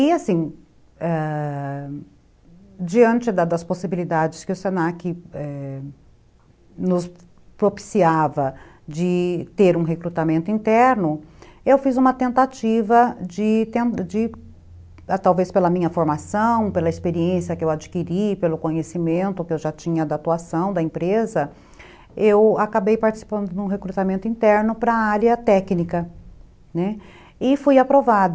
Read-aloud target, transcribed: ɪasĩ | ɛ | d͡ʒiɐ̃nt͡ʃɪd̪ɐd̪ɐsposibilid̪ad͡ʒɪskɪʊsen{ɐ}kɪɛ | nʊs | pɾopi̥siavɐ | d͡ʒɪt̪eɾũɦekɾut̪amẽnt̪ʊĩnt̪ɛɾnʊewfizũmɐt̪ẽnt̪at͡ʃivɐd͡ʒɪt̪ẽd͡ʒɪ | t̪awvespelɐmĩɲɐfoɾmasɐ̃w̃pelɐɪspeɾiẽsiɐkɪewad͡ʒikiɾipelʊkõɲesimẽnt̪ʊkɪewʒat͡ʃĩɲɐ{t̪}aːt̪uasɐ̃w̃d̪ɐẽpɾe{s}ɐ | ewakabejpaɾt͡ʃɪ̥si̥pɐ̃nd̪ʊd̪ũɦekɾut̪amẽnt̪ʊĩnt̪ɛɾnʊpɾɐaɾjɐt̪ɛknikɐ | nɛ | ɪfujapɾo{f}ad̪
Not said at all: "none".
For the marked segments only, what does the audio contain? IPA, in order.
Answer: a, d̪, z, v

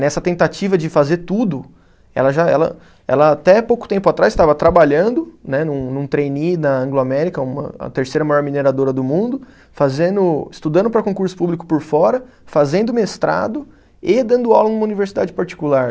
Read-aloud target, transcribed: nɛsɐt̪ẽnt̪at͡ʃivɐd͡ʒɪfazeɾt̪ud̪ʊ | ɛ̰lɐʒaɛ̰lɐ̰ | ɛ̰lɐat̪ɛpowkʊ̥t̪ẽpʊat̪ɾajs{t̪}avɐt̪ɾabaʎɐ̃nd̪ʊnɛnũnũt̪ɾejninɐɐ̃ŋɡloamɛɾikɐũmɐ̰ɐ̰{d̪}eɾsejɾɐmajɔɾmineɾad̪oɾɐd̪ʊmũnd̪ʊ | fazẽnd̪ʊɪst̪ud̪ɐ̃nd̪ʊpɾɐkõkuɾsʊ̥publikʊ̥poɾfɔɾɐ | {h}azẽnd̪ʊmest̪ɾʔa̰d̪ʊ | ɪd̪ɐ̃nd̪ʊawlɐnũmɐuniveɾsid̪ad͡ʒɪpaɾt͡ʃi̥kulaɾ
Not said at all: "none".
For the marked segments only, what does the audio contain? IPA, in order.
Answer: t̪, t̪, f

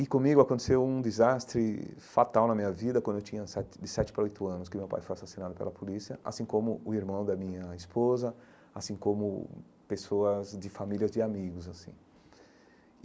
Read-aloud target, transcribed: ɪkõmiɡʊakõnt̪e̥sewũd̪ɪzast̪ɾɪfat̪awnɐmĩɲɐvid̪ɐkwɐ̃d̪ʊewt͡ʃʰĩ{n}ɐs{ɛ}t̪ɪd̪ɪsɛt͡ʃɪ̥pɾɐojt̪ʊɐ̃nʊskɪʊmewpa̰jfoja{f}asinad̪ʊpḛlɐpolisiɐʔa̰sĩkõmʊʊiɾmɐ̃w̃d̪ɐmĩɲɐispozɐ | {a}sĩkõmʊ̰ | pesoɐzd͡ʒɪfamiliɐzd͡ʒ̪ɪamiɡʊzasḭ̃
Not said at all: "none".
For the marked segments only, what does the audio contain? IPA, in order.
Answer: ɲ, ɛ, s, a

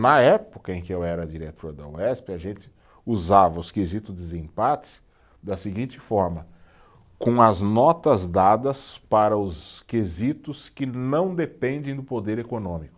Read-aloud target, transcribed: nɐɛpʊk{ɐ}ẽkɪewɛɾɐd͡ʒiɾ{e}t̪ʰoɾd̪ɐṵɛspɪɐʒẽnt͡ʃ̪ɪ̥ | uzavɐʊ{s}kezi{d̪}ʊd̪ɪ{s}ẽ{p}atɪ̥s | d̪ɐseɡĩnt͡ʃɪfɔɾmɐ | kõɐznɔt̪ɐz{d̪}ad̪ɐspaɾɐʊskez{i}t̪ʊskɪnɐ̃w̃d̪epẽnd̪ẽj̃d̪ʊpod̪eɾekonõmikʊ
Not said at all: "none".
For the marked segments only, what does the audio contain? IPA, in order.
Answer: ɐ, e, s, t̪, z, p, d̪, i

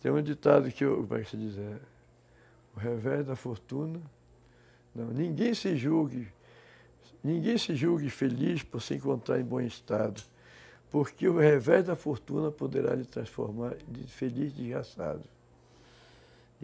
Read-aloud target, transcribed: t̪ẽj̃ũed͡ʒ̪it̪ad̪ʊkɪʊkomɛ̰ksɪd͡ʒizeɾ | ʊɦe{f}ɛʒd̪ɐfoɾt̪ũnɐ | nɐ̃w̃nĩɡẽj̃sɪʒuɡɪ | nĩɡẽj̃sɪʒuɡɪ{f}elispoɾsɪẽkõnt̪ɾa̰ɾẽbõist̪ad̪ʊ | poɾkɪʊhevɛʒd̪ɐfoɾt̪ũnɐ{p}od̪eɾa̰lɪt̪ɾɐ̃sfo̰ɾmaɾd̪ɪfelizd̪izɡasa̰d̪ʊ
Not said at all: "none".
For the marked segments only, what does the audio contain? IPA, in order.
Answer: v, f, p

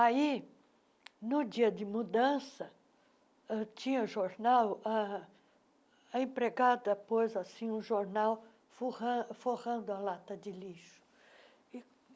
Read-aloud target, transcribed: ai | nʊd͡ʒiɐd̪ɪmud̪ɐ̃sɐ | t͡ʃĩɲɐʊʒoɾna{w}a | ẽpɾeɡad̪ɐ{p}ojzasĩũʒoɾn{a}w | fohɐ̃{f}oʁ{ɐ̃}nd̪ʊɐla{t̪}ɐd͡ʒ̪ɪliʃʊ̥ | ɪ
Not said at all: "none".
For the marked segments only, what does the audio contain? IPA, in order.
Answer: w, p, a, f, ɐ̃, t̪

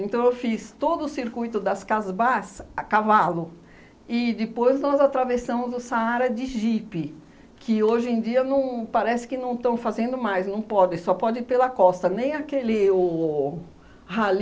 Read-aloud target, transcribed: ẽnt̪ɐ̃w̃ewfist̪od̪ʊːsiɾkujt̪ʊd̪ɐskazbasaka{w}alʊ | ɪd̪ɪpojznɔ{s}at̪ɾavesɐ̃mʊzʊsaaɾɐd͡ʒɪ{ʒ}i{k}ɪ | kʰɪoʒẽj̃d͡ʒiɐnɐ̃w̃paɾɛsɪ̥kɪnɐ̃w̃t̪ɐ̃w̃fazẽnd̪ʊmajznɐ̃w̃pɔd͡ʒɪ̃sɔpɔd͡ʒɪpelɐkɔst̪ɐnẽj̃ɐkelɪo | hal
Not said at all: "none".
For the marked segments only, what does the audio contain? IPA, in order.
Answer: v, z, ʒ, p

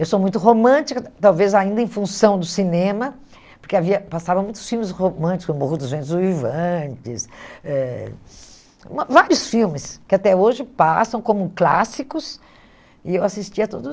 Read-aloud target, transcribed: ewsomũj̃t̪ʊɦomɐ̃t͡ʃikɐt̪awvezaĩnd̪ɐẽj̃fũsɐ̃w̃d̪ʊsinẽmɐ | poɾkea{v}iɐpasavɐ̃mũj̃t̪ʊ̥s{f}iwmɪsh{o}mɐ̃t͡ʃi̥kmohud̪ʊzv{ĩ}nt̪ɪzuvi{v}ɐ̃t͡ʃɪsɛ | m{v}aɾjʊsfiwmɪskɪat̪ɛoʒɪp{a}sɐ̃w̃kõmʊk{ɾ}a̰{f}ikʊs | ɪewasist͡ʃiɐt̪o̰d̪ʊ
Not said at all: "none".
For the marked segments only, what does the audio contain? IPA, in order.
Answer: v, f, o, ẽ, v, v, a, l, s

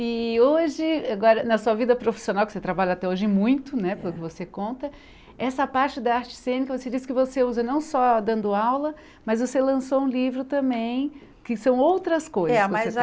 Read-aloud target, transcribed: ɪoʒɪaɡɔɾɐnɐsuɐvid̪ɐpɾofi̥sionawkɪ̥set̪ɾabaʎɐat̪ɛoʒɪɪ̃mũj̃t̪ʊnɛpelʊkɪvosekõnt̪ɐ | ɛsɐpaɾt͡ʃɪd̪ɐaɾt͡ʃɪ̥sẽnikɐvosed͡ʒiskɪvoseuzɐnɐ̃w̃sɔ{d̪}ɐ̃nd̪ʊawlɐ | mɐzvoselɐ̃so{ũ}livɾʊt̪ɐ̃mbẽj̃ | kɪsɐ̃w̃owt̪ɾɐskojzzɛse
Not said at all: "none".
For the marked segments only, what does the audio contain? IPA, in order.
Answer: d̪, ũ

